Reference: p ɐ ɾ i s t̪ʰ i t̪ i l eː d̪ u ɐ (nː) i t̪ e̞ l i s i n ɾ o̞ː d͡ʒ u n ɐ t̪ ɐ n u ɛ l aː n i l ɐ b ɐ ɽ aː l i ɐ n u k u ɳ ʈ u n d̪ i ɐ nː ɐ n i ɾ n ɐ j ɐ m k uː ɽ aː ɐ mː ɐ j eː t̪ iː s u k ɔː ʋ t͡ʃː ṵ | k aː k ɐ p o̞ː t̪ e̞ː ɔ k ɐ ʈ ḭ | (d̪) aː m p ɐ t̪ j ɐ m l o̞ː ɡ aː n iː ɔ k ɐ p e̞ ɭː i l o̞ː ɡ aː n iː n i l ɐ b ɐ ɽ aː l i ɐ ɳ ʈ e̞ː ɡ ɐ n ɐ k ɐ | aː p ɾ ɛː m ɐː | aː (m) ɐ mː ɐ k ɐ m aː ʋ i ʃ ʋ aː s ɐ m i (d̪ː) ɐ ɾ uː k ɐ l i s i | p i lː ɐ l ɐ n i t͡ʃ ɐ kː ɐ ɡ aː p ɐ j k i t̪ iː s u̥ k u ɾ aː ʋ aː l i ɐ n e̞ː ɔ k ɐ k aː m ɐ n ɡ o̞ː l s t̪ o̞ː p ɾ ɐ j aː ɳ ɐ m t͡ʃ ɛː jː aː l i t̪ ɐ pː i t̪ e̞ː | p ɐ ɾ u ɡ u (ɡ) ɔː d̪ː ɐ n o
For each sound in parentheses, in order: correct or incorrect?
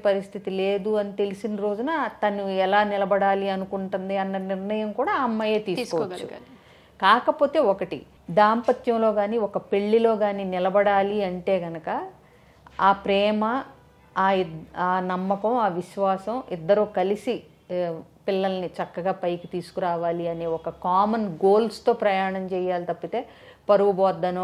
incorrect, correct, incorrect, correct, incorrect

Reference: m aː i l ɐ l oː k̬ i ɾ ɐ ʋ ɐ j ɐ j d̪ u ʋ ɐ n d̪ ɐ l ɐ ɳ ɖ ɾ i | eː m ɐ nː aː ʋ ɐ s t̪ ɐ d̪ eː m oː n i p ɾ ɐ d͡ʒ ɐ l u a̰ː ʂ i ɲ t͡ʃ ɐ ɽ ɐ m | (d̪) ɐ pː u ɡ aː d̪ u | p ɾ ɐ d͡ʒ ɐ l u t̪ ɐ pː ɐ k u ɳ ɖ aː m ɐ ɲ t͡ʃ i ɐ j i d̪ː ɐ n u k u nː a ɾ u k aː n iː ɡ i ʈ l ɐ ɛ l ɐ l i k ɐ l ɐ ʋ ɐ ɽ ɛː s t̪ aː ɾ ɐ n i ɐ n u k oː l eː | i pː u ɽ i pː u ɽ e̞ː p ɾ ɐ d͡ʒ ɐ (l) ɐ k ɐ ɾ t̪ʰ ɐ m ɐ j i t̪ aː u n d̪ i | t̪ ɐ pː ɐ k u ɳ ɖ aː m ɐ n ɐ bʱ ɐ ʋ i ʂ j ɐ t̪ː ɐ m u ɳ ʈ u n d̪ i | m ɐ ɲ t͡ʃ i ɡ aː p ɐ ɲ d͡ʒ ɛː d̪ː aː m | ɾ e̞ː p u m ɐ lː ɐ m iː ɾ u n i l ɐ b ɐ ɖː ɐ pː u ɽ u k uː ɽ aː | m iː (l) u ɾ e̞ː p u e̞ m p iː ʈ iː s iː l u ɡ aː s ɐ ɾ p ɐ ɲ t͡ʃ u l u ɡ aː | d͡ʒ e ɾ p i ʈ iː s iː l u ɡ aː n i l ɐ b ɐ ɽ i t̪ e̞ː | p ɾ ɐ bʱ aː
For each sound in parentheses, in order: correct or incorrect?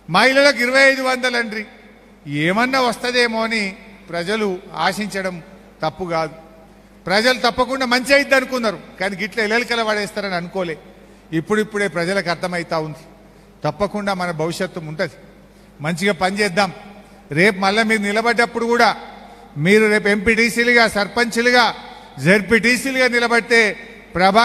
incorrect, correct, incorrect

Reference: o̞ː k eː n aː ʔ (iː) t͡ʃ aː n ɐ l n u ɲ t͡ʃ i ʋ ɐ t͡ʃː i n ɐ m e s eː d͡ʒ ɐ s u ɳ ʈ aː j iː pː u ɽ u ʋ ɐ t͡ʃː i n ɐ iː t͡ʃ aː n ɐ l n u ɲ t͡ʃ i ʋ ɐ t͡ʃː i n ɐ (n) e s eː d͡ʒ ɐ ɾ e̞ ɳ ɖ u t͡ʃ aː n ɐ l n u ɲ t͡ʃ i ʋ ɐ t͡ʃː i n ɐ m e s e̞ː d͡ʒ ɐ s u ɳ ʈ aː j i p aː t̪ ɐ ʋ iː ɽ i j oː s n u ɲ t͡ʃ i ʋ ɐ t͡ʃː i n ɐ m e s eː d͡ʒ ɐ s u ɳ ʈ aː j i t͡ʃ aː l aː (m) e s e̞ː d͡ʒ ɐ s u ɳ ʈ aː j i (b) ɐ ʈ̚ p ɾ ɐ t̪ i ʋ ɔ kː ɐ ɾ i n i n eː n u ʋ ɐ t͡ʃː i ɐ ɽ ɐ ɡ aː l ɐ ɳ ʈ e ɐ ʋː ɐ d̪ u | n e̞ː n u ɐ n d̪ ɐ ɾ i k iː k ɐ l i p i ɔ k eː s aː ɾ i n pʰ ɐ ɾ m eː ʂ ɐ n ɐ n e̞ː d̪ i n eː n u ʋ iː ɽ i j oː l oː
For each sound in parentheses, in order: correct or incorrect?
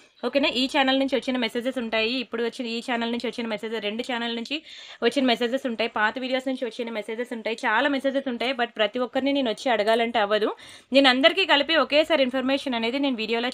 correct, incorrect, correct, correct

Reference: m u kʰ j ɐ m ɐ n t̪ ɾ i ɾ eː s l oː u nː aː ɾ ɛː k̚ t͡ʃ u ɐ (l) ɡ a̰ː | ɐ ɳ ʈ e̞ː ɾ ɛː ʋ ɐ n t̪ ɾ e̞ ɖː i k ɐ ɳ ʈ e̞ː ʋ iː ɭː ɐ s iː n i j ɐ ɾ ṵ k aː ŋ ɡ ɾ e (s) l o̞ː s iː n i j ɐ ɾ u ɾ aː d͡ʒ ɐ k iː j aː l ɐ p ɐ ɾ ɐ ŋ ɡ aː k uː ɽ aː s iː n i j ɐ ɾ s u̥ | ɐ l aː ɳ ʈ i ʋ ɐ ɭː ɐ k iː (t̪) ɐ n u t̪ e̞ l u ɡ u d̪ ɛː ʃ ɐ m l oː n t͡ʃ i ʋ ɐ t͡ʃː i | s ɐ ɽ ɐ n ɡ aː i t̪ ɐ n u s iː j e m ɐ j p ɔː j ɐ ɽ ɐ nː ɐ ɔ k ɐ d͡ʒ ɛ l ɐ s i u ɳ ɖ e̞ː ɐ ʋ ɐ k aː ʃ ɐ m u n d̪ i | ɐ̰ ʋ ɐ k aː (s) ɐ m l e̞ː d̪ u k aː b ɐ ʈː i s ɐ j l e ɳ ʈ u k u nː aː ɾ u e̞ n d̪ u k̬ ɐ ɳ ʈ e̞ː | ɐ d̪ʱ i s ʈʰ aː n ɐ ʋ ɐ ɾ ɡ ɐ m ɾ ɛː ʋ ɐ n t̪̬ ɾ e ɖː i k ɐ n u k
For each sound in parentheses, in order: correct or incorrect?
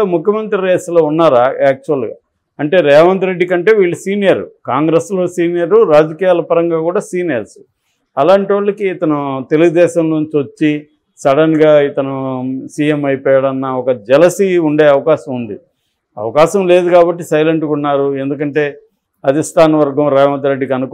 correct, correct, correct, incorrect

